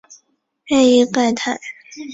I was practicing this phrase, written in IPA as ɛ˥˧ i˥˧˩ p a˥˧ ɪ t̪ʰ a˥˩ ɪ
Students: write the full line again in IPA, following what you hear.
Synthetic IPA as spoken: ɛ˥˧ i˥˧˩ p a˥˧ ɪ t̪ʰ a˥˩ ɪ